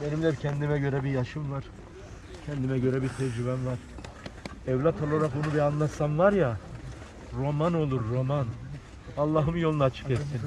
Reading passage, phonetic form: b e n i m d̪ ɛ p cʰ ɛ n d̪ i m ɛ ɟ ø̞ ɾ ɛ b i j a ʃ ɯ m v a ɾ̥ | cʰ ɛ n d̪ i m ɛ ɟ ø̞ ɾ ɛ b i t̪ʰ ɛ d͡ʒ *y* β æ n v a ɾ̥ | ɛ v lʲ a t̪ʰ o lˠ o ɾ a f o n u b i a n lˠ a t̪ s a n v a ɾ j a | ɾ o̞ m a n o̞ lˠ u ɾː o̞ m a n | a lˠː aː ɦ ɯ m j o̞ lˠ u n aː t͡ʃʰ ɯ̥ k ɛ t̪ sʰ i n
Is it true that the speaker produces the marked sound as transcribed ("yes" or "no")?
yes